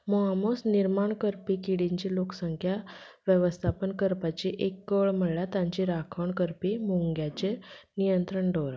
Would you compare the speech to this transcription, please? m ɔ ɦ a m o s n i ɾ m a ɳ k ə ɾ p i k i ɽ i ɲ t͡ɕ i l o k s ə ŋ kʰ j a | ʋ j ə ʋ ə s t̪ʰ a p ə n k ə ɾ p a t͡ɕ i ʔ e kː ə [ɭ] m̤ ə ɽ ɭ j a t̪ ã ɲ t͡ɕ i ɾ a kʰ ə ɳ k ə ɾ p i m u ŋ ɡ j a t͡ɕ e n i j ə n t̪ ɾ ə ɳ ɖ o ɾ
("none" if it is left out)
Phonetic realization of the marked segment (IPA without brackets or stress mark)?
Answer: ɭ